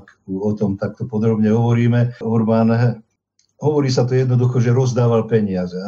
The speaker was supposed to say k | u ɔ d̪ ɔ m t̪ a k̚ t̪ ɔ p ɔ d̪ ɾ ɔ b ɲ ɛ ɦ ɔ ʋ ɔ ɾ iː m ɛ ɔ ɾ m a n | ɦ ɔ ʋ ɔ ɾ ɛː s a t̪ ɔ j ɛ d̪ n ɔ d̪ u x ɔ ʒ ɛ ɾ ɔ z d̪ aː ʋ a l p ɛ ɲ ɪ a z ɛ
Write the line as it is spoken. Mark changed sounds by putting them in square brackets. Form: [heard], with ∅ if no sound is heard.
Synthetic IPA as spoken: k | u ɔ [t̪] ɔ m t̪ a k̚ t̪ ɔ p ɔ d̪ ɾ ɔ b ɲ ɛ ɦ ɔ ʋ ɔ ɾ iː m ɛ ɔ ɾ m a n | ɦ ɔ ʋ ɔ ɾ [iː] s a t̪ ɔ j ɛ d̪ n ɔ d̪ u x ɔ ʒ ɛ ɾ ɔ z d̪ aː ʋ a l p ɛ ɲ ɪ a z ɛ